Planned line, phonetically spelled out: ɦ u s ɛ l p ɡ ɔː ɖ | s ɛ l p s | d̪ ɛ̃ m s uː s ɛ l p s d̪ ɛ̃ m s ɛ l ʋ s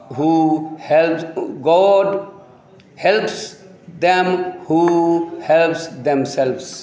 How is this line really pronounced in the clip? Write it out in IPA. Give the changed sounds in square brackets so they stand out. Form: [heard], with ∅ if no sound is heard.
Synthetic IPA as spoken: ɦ u [h] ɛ l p ɡ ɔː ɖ | [h] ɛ l p s | d̪ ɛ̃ m [h] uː [h] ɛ l p s d̪ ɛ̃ m s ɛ l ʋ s